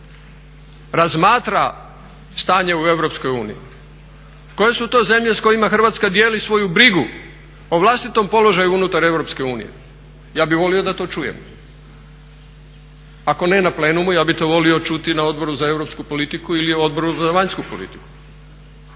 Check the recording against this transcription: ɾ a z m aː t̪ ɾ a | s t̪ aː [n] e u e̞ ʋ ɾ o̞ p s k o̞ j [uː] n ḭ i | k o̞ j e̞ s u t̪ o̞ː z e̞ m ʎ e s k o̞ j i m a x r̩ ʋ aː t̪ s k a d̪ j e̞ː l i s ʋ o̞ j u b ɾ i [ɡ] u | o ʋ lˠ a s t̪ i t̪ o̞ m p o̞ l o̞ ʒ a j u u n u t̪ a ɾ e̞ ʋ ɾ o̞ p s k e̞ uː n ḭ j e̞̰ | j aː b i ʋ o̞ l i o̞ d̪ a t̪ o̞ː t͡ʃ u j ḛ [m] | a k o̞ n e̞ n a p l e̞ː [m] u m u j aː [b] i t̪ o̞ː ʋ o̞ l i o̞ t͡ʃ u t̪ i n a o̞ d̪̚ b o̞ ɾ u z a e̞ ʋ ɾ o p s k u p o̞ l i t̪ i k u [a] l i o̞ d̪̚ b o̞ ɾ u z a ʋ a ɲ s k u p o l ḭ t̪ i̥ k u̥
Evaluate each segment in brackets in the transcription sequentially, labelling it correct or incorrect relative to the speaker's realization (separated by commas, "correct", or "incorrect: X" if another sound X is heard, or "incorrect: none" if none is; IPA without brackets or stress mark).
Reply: incorrect: ɲ, correct, correct, correct, incorrect: n, correct, incorrect: i